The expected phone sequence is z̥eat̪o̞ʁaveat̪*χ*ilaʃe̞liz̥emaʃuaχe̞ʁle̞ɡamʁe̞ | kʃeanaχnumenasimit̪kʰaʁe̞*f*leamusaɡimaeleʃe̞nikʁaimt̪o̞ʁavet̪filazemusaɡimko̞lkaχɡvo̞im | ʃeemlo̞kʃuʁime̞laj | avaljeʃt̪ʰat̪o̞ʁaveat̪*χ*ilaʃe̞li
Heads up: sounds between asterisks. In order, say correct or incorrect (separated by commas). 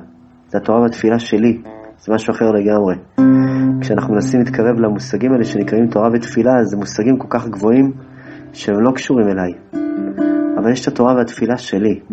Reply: incorrect, incorrect, incorrect